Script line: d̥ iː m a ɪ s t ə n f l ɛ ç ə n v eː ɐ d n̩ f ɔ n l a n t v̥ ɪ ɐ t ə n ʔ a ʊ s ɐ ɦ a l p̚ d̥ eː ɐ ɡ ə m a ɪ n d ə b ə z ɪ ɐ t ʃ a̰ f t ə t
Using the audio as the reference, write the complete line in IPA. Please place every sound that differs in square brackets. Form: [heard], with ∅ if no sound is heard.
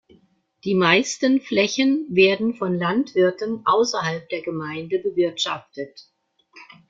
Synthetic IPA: d̥ iː m a ɪ s t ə n f l ɛ ç ə n v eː ɐ d n̩ f ɔ n l a n t v̥ ɪ ɐ t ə n ʔ a ʊ s ɐ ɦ a l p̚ d̥ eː ɐ ɡ ə m a ɪ n d ə b ə [v] ɪ ɐ t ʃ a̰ f t ə t